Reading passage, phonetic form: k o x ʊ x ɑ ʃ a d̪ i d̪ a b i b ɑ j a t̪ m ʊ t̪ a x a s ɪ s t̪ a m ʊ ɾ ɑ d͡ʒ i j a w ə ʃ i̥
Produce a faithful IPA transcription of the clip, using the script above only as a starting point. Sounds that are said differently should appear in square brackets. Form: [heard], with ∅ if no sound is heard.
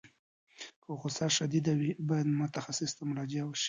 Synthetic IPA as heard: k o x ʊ [s] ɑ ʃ a d̪ i d̪ a [w] i b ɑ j a [d̪] m ʊ t̪ a x a s ɪ s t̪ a m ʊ ɾ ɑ d͡ʒ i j a w ə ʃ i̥